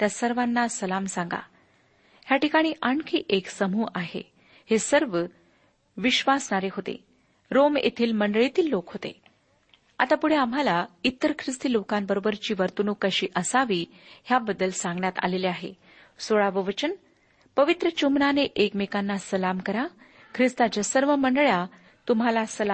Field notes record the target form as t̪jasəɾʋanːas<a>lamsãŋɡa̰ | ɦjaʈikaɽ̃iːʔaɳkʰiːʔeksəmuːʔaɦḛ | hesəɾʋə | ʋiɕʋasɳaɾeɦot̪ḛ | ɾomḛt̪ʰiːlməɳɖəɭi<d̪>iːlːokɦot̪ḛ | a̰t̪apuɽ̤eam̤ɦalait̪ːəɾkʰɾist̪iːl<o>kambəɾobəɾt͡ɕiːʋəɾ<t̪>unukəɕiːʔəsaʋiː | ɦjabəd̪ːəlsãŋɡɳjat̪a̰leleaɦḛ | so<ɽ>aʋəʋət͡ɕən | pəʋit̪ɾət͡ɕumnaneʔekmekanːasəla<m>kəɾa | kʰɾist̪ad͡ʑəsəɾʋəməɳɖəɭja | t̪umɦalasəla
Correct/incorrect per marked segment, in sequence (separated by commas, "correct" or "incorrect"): incorrect, incorrect, correct, correct, incorrect, correct